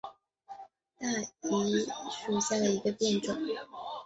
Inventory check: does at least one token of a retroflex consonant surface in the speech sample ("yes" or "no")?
yes